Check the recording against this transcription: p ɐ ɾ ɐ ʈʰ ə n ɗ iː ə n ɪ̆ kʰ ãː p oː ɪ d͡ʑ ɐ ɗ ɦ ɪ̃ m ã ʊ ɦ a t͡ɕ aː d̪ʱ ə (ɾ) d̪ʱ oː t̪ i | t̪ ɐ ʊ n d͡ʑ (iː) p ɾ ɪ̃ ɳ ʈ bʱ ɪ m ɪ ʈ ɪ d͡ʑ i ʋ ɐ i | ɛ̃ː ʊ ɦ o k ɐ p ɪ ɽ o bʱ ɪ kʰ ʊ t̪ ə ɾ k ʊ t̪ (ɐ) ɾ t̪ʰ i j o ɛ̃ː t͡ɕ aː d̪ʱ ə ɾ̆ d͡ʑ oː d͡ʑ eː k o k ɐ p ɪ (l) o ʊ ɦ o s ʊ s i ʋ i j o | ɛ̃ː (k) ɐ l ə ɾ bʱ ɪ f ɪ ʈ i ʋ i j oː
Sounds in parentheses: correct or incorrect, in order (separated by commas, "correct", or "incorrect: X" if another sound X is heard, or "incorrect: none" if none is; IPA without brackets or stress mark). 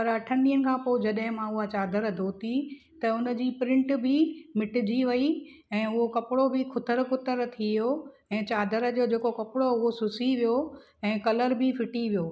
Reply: correct, correct, incorrect: ə, incorrect: ɽ, correct